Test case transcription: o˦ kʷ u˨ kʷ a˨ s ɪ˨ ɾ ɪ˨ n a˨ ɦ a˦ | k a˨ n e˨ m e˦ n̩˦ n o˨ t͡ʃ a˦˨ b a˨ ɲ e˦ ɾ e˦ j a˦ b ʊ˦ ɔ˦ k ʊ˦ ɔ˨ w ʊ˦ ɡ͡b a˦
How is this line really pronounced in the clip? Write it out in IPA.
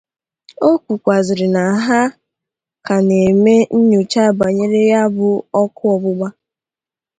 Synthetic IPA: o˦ kʷ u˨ kʷ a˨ z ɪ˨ ɾ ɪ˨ n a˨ ɦ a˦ | k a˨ n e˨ m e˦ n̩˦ ɲ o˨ t͡ʃ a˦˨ b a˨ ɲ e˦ ɾ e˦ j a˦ b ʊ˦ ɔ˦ k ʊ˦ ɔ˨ b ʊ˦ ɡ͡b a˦